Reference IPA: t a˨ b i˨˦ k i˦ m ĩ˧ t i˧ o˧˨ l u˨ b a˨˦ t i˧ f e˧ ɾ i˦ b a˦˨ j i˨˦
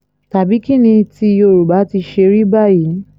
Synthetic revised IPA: t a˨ b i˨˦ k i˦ n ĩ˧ t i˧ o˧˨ ɾ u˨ b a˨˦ t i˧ ʃ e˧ ɾ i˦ b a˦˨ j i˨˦